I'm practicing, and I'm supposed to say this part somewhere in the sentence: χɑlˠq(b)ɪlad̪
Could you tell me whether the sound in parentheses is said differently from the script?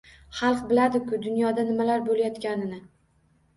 no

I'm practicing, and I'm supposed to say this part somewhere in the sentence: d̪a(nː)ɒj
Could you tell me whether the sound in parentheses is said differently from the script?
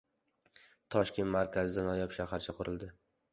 yes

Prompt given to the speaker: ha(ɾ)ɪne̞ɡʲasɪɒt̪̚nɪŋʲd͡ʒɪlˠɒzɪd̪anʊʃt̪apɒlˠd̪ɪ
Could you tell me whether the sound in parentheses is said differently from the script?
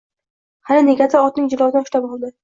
yes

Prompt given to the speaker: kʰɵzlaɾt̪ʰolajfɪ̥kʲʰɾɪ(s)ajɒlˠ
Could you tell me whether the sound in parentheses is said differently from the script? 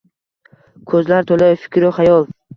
yes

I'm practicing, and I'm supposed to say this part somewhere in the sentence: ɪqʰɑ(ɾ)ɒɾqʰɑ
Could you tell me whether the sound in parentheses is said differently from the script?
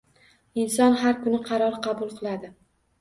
no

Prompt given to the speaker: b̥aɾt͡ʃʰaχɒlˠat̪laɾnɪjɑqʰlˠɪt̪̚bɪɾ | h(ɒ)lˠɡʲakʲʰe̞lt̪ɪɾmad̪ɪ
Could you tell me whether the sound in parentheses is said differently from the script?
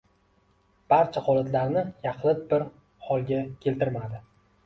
no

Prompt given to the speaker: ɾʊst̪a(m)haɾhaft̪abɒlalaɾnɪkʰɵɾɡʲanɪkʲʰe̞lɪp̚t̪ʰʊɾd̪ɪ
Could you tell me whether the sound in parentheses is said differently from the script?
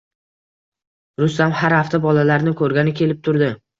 no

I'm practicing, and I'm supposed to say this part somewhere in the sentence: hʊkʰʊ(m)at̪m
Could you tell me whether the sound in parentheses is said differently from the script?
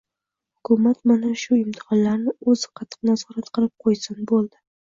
no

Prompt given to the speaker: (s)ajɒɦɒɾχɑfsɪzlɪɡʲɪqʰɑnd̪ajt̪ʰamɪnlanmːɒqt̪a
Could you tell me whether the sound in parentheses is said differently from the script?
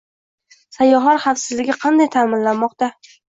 no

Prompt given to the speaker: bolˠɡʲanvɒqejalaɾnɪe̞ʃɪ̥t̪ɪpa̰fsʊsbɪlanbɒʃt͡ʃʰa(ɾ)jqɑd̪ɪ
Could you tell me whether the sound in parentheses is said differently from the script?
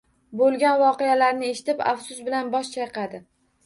yes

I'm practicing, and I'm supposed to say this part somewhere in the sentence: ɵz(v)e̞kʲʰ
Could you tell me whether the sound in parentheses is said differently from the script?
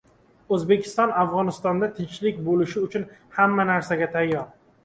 yes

